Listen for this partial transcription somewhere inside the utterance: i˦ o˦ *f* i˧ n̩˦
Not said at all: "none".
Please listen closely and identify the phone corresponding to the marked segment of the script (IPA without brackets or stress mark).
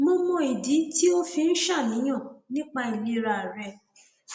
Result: f